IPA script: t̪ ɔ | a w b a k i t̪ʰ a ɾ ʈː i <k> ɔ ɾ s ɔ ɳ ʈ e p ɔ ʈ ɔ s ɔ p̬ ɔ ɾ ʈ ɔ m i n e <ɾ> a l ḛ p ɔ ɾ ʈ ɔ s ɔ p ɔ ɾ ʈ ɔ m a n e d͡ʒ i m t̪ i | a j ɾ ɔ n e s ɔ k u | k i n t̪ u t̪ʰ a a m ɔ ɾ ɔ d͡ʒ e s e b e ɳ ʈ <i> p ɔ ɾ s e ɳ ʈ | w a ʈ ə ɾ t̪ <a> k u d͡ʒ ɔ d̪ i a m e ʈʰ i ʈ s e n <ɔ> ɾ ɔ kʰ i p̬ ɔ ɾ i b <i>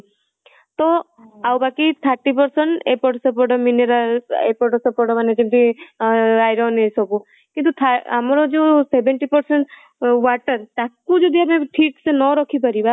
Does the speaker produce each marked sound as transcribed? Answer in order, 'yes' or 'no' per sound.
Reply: no, yes, yes, yes, yes, no

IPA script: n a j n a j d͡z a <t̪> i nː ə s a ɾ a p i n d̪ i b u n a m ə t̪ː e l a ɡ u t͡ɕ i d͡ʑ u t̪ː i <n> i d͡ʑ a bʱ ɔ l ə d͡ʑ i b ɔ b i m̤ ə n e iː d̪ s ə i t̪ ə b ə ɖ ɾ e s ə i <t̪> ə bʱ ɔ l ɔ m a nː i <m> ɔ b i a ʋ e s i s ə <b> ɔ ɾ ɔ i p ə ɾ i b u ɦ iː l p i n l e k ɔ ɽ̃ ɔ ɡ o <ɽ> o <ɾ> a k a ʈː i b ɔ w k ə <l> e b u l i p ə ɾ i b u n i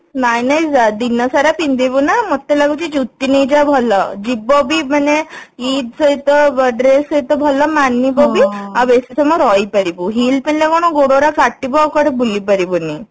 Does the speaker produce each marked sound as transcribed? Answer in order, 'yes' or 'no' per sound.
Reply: no, yes, yes, no, no, yes, yes, no

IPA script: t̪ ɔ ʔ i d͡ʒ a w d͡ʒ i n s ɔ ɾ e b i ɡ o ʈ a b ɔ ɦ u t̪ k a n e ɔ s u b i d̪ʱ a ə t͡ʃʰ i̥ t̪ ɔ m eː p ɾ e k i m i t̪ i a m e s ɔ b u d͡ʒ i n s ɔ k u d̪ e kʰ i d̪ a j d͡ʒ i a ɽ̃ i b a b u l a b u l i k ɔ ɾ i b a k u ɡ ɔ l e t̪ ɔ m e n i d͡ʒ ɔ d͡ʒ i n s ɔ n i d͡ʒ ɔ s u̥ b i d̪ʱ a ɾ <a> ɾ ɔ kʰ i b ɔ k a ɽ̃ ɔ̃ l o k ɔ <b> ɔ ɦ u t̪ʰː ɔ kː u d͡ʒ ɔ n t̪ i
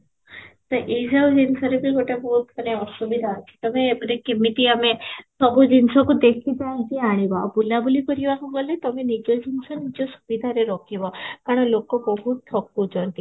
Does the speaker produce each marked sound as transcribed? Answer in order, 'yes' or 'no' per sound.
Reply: no, yes

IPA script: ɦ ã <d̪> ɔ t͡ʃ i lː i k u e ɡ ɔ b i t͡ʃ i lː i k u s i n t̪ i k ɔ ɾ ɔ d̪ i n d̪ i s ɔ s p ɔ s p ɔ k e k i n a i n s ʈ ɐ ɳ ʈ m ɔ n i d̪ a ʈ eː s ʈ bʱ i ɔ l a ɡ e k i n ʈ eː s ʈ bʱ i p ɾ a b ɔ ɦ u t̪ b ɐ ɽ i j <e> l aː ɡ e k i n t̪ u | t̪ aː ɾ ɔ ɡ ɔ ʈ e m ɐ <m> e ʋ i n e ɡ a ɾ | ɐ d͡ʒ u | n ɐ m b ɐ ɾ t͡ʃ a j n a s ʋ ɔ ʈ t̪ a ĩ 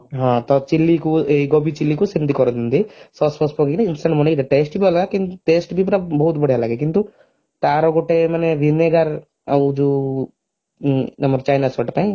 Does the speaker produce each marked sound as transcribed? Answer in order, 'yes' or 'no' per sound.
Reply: no, no, no

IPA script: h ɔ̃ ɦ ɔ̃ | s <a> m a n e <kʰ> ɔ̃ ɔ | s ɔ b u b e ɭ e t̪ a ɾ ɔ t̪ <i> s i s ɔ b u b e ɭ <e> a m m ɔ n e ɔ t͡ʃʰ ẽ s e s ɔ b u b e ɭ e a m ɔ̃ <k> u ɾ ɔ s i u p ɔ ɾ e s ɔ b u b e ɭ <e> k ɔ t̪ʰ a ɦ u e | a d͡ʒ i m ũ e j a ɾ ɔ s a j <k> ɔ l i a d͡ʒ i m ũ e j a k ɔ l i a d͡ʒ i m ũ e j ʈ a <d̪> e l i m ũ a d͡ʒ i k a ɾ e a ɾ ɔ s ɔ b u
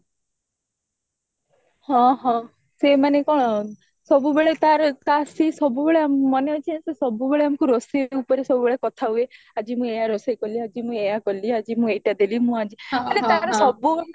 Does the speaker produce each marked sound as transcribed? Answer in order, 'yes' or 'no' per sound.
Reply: no, no, no, yes, yes, yes, yes, yes

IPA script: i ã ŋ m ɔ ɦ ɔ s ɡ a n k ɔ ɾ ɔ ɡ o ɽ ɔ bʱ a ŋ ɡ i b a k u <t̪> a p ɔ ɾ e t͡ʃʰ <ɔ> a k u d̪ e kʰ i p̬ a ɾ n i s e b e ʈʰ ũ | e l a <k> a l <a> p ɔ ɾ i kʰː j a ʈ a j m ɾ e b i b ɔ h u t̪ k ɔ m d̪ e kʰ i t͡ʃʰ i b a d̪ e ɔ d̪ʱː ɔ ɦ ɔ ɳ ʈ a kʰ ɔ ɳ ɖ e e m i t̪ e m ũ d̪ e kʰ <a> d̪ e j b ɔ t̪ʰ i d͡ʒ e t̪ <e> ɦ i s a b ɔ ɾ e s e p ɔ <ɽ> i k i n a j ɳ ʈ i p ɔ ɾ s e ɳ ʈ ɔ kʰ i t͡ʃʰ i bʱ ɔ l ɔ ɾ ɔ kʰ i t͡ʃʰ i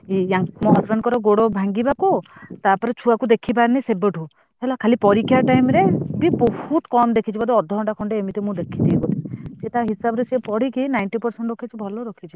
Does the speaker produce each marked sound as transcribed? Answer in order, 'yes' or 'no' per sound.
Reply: yes, no, no, no, no, no, yes

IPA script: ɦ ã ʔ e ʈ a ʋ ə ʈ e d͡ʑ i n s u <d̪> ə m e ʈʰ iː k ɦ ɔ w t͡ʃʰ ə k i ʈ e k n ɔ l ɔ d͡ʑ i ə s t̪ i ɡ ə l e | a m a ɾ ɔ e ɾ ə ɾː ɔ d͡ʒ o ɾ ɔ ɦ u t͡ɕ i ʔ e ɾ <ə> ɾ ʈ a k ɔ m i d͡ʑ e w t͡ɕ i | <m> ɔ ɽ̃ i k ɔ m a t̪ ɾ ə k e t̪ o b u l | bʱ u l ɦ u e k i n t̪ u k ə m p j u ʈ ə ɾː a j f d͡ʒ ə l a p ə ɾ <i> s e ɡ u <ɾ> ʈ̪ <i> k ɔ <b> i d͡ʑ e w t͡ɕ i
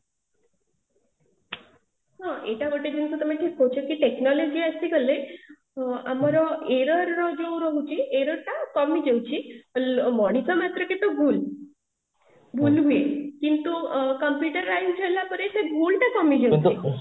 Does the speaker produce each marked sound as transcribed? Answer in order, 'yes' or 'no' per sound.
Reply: no, yes, yes, no, no, no, no

